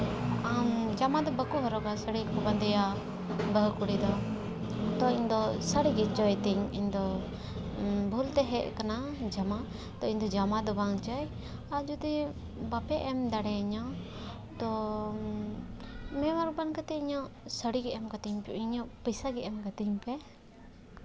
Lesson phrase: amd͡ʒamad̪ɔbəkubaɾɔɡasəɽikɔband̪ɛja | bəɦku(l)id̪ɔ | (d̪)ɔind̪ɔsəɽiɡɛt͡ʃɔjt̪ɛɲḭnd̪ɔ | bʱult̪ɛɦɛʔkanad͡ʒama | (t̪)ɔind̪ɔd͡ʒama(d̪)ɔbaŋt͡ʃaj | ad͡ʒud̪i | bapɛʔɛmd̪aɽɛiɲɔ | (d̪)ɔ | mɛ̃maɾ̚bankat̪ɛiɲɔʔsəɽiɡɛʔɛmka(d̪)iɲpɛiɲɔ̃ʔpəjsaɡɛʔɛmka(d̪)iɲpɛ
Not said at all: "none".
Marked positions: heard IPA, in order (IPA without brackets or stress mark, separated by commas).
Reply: ɽ, t̪, t̪, d̪, t̪, t̪, t̪